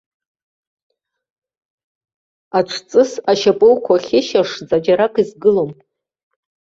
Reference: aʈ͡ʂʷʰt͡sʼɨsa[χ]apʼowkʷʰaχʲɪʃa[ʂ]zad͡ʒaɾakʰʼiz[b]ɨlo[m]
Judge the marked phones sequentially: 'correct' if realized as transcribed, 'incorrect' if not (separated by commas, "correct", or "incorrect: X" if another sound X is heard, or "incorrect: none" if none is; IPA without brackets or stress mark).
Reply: incorrect: ʃ, correct, incorrect: ɡ, correct